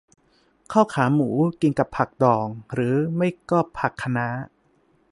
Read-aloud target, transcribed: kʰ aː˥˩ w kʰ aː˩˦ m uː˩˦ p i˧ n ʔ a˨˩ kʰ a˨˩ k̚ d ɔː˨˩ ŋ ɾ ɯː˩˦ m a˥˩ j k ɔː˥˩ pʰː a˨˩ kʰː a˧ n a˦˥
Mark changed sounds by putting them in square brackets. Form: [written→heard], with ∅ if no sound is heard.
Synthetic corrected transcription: kʰ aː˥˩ w kʰ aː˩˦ m uː˩˦ [p→k] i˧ n [ʔ→k] a˨˩ [kʰ→pʰ] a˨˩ k̚ d ɔː˨˩ ŋ ɾ ɯː˩˦ m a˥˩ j k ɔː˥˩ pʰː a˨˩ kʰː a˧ n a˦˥